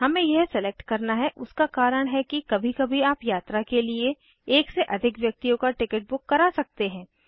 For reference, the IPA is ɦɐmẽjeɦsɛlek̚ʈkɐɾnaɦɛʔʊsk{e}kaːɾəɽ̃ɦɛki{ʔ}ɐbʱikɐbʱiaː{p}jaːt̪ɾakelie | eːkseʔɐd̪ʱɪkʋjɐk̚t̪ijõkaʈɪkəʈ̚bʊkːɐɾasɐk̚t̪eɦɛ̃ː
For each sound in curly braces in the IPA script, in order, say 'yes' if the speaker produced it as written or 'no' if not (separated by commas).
no, no, yes